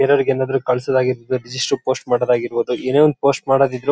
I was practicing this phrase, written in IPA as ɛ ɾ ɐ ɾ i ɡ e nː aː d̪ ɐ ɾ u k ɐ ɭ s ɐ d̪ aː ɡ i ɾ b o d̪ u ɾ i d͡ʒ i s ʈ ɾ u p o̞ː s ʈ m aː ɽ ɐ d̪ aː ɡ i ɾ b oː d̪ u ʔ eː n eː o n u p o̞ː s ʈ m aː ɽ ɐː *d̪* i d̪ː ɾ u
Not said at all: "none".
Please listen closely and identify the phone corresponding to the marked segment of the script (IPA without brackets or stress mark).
d̪